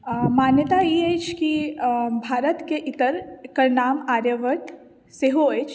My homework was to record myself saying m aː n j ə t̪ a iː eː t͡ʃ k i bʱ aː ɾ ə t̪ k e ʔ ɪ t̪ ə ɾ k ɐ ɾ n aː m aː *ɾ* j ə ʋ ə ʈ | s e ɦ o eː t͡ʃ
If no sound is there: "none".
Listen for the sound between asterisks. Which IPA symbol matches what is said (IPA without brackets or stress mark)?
ɾ